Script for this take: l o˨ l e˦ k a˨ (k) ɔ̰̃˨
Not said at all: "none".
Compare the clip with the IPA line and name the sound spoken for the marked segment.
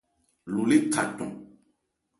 t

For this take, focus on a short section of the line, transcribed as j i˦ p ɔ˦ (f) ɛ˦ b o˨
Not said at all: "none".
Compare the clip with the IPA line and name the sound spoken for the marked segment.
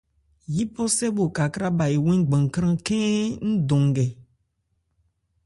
s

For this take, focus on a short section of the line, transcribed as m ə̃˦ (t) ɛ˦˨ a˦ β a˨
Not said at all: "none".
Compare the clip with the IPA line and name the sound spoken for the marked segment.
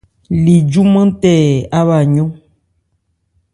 t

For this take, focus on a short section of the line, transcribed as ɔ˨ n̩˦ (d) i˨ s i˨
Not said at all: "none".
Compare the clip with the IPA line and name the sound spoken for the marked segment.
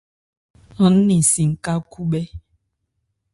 n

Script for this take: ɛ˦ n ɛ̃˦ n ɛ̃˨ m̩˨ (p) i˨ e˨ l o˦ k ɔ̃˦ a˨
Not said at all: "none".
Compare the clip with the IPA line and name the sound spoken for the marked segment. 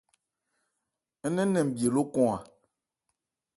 b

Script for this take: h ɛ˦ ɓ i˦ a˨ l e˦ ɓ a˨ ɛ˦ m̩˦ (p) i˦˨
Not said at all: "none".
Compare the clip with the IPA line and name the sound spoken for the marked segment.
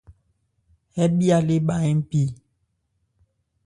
p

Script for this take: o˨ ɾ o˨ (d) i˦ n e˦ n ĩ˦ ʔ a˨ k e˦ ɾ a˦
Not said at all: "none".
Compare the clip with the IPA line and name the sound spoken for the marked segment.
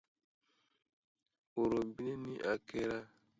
b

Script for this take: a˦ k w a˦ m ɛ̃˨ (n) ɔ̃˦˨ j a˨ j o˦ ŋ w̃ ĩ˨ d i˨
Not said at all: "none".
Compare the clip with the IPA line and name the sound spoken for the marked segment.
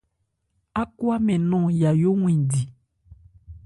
n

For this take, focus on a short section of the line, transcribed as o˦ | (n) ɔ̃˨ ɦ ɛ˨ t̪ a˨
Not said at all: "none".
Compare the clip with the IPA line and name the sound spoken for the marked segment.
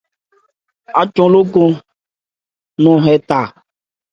n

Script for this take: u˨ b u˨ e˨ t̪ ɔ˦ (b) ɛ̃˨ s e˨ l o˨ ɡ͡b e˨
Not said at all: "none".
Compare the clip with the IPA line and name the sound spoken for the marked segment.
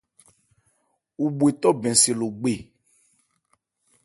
b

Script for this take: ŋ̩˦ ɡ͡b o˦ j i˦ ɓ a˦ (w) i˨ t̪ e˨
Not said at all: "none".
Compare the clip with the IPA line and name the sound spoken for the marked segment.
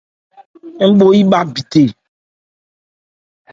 b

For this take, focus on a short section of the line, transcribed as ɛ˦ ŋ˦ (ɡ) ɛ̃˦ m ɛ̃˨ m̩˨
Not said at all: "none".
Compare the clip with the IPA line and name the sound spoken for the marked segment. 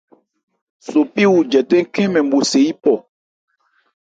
k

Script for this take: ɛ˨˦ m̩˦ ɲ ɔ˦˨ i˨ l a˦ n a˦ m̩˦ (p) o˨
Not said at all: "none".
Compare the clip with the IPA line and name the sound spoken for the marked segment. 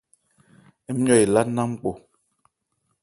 k͡p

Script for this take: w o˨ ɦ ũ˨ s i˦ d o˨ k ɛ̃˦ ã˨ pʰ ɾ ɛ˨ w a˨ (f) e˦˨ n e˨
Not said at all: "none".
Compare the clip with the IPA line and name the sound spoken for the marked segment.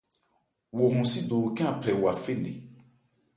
f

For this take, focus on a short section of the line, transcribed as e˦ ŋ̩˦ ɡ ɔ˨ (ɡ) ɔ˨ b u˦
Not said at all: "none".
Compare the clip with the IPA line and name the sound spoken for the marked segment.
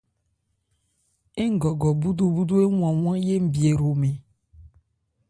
ɡ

